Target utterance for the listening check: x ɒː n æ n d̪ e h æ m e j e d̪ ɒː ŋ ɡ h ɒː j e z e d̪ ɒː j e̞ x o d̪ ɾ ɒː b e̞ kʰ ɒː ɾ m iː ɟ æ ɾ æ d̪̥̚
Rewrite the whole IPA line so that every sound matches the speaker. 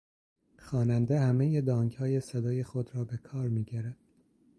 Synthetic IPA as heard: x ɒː n æ n d̪ e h æ m e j e d̪ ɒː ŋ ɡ h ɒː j e s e d̪ ɒː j e̞ x o d̪ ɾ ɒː b e̞ kʰ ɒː ɾ m iː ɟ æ ɾ æ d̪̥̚